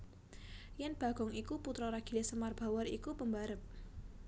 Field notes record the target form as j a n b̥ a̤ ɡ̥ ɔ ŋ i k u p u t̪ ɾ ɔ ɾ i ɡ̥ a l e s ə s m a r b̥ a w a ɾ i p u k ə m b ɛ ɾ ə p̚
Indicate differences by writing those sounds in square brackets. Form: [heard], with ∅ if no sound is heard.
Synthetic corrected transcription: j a n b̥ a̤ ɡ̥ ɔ ŋ i k u p u t̪ ɾ ɔ ɾ [a] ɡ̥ [i] l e s ə [∅] m a r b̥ a w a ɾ i [k] u [p] ə m b [a] ɾ ə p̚